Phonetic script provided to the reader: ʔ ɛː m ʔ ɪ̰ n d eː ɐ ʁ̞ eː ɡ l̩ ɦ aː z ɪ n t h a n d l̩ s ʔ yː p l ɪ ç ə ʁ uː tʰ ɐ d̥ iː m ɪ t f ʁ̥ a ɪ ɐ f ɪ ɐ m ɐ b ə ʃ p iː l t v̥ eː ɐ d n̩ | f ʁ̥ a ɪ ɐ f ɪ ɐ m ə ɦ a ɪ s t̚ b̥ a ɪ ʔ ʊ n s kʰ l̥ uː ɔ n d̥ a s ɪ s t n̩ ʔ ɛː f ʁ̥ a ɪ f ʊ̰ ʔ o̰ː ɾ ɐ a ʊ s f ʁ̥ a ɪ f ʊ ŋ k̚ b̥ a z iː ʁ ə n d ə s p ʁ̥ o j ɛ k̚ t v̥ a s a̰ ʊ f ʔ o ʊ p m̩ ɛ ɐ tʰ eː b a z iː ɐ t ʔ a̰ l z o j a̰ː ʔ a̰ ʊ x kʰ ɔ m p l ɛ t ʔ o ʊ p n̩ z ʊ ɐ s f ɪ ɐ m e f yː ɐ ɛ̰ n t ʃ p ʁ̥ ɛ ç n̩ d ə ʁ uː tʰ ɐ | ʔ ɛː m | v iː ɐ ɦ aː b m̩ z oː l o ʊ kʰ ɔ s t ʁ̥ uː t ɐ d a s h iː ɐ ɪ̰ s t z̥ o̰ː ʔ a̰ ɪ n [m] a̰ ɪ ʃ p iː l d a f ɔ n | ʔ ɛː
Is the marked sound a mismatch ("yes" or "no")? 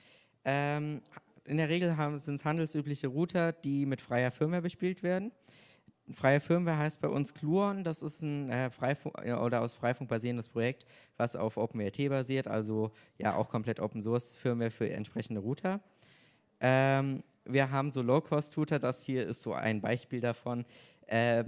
yes